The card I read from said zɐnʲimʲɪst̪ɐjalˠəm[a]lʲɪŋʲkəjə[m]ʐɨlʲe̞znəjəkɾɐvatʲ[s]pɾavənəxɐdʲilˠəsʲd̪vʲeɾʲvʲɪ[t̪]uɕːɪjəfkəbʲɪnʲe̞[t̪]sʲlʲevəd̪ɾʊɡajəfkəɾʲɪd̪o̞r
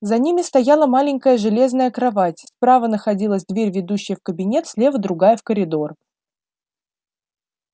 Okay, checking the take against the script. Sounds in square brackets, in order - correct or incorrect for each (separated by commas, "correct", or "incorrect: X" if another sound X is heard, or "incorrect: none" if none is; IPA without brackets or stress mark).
correct, incorrect: none, correct, incorrect: d̪, correct